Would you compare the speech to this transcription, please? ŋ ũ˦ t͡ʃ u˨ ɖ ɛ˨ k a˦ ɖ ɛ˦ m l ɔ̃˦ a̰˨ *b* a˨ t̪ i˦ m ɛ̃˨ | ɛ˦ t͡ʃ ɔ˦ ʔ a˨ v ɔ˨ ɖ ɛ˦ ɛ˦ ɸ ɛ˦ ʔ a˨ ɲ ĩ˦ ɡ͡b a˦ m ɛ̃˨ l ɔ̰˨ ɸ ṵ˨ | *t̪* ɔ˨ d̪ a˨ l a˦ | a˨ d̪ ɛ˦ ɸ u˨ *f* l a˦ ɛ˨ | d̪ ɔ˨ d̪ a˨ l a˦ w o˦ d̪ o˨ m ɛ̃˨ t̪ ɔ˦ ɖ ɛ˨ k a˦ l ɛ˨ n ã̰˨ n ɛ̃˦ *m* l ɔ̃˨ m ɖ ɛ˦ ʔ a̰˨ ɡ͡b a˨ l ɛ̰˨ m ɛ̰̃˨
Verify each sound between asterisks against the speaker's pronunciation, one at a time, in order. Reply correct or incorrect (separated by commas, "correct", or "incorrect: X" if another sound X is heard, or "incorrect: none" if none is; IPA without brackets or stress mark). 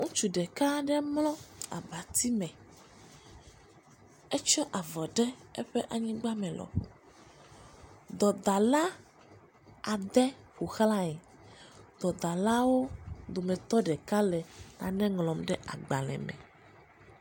correct, incorrect: d̪, incorrect: x, incorrect: ŋ